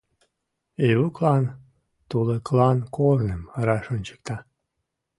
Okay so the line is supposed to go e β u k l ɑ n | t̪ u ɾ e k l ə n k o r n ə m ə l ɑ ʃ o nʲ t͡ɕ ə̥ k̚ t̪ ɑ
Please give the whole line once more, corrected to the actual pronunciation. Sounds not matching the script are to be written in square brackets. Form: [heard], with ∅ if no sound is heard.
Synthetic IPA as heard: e β u k l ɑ n | t̪ u [l] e k l [ɑ] n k o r n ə m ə [ɾ] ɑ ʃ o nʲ t͡ɕ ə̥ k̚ t̪ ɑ